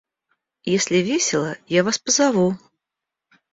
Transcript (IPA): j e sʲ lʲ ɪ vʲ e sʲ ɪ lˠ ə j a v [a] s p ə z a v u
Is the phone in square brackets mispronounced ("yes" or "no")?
no